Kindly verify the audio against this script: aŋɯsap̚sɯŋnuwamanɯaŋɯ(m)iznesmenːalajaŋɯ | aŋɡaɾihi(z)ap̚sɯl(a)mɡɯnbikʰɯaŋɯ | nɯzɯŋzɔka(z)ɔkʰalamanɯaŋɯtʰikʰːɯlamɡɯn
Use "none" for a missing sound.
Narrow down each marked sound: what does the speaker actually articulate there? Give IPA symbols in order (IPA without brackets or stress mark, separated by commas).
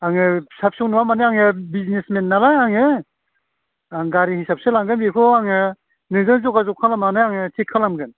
b, s, a, z